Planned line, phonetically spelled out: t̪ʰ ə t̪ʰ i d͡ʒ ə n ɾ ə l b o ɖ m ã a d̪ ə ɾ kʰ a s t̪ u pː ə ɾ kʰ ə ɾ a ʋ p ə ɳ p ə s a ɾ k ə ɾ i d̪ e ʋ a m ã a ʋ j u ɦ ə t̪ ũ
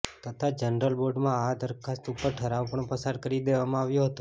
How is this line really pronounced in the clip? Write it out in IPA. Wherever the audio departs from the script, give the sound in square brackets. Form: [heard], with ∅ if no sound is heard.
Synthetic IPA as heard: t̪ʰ ə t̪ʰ [a] d͡ʒ ə n ɾ ə l b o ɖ m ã a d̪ ə ɾ kʰ a s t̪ u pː ə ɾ [ʈʰ] ə ɾ a ʋ p ə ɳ p ə s a ɾ k ə ɾ i d̪ e ʋ a m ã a ʋ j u ɦ ə t̪ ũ